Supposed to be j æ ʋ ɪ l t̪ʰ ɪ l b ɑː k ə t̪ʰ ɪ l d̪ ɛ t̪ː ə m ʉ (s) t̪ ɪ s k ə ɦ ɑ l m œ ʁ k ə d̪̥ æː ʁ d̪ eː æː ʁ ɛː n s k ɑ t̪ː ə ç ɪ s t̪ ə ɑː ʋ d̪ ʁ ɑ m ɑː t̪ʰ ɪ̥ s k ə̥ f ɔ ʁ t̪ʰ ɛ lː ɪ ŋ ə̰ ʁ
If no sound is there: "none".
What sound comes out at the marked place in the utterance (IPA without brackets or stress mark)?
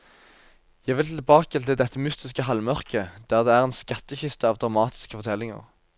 s